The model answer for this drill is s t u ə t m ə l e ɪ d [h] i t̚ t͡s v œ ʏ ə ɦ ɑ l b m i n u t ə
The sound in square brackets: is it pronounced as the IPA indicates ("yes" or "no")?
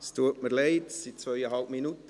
no